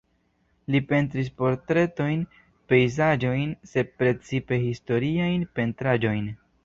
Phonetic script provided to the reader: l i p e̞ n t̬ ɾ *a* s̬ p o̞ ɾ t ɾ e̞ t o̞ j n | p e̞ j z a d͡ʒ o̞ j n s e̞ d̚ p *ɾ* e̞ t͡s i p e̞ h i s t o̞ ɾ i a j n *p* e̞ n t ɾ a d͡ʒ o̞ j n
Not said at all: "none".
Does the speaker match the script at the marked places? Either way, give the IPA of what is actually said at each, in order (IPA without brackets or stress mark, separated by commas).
i, ɾ, p